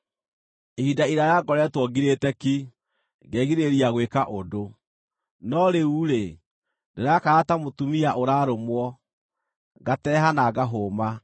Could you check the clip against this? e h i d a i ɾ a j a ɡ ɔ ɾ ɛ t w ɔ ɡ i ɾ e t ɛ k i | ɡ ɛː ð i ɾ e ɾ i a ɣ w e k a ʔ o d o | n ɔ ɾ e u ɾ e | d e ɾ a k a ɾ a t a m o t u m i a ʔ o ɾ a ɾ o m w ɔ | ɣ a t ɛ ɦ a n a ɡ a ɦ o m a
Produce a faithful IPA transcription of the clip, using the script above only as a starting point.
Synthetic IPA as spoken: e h i d a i ɾ a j a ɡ ɔ ɾ ɛ t w ɔ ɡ i ɾ e t ɛ k i | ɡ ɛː ɣ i ɾ e ɾ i a ɣ w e k a ʔ o d o | n ɔ ɾ e u ɾ e | d e ɾ a k a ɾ a t a m o t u m i a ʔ o ɾ a ɾ o m w ɔ | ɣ a t ɛ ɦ a n a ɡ a ɦ o m a

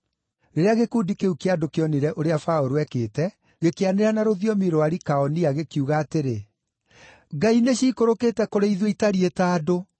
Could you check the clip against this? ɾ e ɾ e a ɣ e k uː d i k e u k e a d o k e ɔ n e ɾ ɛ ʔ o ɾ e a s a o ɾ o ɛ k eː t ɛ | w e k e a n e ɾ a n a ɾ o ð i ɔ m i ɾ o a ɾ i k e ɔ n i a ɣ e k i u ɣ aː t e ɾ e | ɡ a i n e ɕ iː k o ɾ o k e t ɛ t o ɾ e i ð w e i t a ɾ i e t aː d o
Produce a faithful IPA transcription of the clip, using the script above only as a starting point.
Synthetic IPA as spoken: ɾ e ɾ e a ɣ e k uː d i k e u k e a d o k e ɔ n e ɾ ɛ ʔ o ɾ e a f a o ɾ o ɛ k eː t ɛ | ɣ e k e a n e ɾ a n a ɾ o ð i ɔ m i ɾ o a ɾ i k a ɔ n i a ɣ e k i u ɣ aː t e ɾ e | ɡ a i n e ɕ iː k o ɾ o k e t ɛ k o ɾ e i ð w e i t a ɾ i e t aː d o

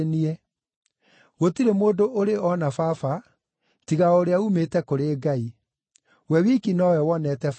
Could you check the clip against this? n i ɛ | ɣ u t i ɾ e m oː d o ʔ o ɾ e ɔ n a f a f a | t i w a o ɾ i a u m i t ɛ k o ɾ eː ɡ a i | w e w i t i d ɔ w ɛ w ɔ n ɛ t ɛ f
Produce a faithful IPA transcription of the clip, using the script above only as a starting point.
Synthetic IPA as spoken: n i ɛ | ɣ o t i ɾ e m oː d o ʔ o ɾ e ɔ n a f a f a | t i ɣ a o ɾ e a u m e t ɛ k o ɾ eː ɡ a i | w ɛ w i k i n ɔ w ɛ w ɔ n ɛ t ɛ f

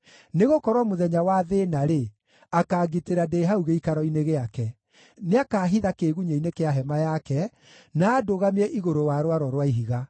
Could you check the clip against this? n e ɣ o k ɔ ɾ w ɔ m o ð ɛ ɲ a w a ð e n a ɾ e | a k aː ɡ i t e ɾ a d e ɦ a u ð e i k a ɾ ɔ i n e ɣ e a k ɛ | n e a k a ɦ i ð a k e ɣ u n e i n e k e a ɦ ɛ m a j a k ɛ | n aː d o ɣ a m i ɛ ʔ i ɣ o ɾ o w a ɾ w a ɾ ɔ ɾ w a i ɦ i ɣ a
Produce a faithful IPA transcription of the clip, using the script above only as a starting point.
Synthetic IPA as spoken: n e ɣ o k ɔ ɾ w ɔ m o ð ɛ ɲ a w a ð e n a ɾ e | a k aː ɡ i t e ɾ a d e ɦ a u ɣ e i k a ɾ ɔ i n e ɣ e a k ɛ | n e a k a ɦ i ð a k e ɣ u ɲ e i n e k e a ɦ ɛ m a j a k ɛ | n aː d o ɣ a m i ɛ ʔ i ɣ o ɾ o w a ɾ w a ɾ ɔ ɾ w a i ɦ i ɣ a

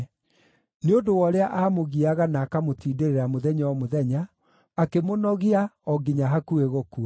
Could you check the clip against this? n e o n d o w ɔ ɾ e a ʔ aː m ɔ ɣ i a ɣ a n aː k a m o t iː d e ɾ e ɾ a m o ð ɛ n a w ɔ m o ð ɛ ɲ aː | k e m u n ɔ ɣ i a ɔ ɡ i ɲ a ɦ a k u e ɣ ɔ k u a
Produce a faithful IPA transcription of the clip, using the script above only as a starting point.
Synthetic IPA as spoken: n e o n d o w ɔ ɾ e a ʔ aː m o ɣ i a ɣ a n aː k a m o t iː d e ɾ e ɾ a m o ð ɛ ɲ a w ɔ m o ð ɛ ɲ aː | k e m o n ɔ ɣ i a ɔ ɡ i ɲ a ɦ a k u e ɣ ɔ k u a

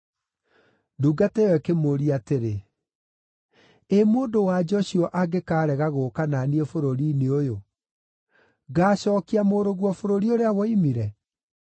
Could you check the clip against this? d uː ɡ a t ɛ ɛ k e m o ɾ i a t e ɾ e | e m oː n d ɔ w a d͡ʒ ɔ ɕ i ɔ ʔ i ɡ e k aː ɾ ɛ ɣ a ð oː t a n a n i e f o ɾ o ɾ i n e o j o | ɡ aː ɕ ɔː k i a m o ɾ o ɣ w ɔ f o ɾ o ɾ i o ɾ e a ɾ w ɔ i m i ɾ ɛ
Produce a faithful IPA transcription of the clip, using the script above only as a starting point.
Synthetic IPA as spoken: d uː ɡ a t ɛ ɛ k e m o ɾ i a t e ɾ e | e m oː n d o w a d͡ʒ ɔ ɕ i ɔ ʔ a ɡ e k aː ɾ ɛ ɣ a ɣ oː k a n a n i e f o ɾ o ɾ i n e o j o | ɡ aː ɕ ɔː k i a m o ɾ o ɣ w ɔ f o ɾ o ɾ i o ɾ e a w ɔ i m i ɾ ɛ

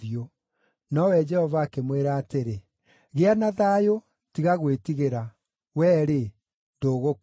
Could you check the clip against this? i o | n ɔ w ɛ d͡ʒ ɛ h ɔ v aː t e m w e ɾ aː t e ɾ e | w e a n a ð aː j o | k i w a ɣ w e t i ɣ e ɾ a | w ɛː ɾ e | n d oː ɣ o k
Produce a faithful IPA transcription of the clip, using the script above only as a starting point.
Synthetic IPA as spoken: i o | n ɔ w ɛ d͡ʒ ɛ h ɔ v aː k e m w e ɾ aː t e ɾ e | ɣ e a n a ð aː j o | t i ɣ a ɣ w e t i ɣ e ɾ a | w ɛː ɾ e | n d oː ɣ o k

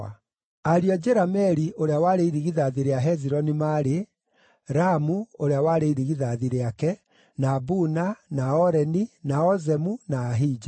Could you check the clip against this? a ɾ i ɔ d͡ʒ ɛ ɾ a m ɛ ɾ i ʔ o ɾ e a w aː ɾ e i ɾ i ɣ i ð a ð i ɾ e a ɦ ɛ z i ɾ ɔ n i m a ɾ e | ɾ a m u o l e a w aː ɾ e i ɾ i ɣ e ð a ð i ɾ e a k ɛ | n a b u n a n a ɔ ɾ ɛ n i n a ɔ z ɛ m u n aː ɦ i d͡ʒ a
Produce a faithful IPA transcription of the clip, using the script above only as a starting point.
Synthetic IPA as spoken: a ɾ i ɔ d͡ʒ ɛ ɾ a m ɛ ɾ i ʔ o ɾ e a w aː ɾ e i ɾ i ɣ i ð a ð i ɾ e a ɦ ɛ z i ɾ ɔ n i m a ɾ e | ɾ a m u o ɾ e a w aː ɾ e i ɾ i ɣ i ð a ð i ɾ e a k ɛ | n a b u n a n a ɔ ɾ ɛ n i n a ɔ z ɛ m u n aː ɦ i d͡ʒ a

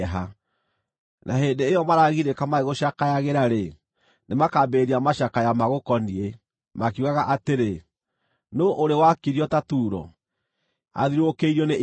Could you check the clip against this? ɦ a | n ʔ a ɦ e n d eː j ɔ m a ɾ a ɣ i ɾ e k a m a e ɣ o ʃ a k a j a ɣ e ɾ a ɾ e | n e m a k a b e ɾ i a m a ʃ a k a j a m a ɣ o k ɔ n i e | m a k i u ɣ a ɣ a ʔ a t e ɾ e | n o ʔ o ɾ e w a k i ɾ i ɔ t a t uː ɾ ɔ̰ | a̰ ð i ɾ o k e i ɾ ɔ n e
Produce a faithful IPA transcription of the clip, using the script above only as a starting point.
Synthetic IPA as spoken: ɦ a | n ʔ a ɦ e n d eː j ɔ m a ɾ a ɣ i ɾ e k a m a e ɣ o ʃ a k a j a ɣ e ɾ a ɾ e | n e m a k a b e ɾ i a m a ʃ a k a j a m a ɣ o k ɔ n i e | m a k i u ɣ a ɣ a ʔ a t e ɾ e | n o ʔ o ɾ e w a k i ɾ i ɔ t a t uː ɾ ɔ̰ | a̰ ð i ɾ o k e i ɾ ɔ n e

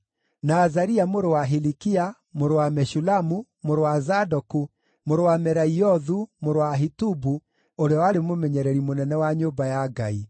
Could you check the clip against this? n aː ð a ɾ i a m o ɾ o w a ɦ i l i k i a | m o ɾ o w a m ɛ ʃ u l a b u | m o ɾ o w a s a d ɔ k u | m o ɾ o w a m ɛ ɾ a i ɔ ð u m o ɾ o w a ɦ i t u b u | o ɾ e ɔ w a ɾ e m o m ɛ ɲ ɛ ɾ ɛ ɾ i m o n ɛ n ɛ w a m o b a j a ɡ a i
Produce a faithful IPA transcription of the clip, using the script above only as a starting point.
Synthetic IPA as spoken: n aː z a ɾ i a m o ɾ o w a ɦ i l i k i a | m o ɾ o w a m ɛ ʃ u l a m u | m o ɾ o w a z a d ɔ k u | m o ɾ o w a m ɛ ɾ a i ɔ ð u m o ɾ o w a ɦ i t u b u | o ɾ e ɔ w a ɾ e m o m ɛ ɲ ɛ ɾ ɛ ɾ i m o n ɛ n ɛ w a ɲ o b a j a ɡ a i

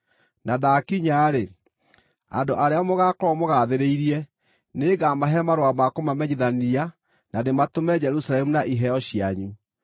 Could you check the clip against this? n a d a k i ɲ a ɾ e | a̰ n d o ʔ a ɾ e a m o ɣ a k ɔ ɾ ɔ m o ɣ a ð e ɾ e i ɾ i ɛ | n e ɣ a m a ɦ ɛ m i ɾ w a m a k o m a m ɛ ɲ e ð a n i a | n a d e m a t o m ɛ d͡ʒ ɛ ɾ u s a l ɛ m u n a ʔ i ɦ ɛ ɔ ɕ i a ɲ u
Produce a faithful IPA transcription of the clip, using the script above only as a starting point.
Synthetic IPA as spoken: n a d a k i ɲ a ɾ e | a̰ n d o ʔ a ɾ e a m o ɣ a k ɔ ɾ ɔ m o ɣ a ð e ɾ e i ɾ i ɛ | n e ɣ a m a ɦ ɛ m a ɾ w a m a k o m a m ɛ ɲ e ð a n i a | n a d e m a t o m ɛ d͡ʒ ɛ ɾ u s a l ɛ m u n a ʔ i ɦ ɛ ɔ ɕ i a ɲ u

